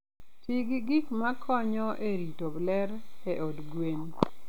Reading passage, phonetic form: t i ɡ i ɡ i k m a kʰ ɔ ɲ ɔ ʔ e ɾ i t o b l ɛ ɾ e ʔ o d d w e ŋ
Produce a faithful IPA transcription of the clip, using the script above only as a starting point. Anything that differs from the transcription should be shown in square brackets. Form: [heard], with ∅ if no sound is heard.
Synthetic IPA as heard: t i ɡ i ɡ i k m a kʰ ɔ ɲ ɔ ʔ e ɾ i t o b l ɛ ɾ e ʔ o d [ɡ] w e [n]